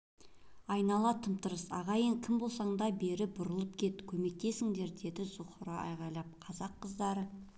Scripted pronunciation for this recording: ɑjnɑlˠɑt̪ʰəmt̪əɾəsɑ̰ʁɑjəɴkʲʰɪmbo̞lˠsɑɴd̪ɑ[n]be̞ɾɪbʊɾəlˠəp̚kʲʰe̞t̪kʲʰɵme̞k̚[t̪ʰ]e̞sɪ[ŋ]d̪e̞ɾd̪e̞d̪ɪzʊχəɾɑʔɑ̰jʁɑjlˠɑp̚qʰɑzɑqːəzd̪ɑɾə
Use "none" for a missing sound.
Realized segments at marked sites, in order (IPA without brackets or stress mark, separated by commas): none, t̪, ŋ